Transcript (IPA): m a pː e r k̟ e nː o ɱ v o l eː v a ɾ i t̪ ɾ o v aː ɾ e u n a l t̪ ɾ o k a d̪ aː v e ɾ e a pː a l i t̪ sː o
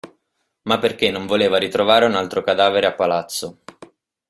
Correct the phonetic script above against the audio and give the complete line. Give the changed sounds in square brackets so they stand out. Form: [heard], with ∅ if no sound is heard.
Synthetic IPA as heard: m a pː e r k̟ e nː o ɱ v o l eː v a ɾ i t̪ ɾ o v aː ɾ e u n a l t̪ ɾ o k a d̪ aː v e ɾ e a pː a l [a] t̪ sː o